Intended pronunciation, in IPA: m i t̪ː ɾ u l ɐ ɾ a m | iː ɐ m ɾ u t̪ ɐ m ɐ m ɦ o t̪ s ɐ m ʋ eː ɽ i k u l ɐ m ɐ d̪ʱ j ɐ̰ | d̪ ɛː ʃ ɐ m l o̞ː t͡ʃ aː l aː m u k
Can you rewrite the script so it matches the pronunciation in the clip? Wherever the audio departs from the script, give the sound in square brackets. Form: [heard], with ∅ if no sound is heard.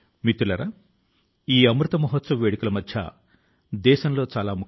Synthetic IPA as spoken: m i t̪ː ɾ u l ɐ ɾ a [∅] | iː ɐ m ɾ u t̪ ɐ m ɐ [∅] ɦ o t̪ s ɐ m ʋ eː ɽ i k u l ɐ m ɐ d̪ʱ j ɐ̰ | d̪ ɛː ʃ ɐ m l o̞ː t͡ʃ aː l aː m u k